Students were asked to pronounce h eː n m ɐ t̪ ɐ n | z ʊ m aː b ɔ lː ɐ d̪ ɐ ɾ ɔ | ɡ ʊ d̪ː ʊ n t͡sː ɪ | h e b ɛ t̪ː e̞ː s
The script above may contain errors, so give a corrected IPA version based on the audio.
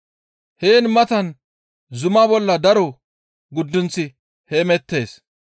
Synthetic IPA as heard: h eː n m ɐ t̪ ɐ n | z ʊ m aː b ɔ lː ɐ d̪ ɐ ɾ ɔ | ɡ ʊ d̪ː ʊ n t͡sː ɪ | h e m ɛ t̪ː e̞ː s